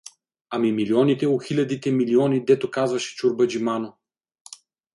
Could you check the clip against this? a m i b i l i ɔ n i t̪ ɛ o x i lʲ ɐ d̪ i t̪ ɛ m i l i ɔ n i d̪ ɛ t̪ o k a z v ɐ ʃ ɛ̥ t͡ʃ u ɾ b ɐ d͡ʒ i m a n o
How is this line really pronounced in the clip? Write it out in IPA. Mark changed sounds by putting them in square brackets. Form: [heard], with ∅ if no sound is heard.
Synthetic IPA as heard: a m i [m] i l i ɔ n i t̪ ɛ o x i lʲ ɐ d̪ i t̪ ɛ m i l i ɔ n i d̪ ɛ t̪ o k a z v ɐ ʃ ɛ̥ t͡ʃ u ɾ b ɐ d͡ʒ i m a n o